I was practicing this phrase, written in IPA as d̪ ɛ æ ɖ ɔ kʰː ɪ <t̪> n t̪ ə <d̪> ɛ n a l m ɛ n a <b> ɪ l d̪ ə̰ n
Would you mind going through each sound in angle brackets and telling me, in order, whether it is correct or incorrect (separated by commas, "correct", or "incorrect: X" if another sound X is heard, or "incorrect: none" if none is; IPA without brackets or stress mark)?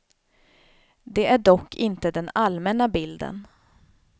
incorrect: none, correct, correct